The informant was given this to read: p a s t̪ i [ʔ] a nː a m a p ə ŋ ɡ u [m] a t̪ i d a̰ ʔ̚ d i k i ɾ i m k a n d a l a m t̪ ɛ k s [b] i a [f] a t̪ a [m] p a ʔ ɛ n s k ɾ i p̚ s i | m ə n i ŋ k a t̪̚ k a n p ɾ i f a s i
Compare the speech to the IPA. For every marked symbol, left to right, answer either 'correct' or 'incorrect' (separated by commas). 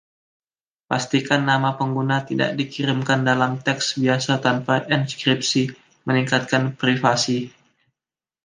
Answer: incorrect, incorrect, correct, incorrect, incorrect